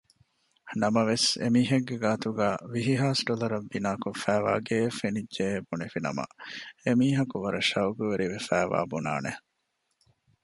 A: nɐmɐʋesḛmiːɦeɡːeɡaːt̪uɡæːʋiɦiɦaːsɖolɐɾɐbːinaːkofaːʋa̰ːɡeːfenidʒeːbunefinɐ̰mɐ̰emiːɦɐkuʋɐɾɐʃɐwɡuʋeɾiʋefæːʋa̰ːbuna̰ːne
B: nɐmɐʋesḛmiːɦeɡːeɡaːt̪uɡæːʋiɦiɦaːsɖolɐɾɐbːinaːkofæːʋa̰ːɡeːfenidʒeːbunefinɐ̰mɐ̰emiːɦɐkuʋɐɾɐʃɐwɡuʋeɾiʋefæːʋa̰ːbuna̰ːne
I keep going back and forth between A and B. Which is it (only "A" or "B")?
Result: B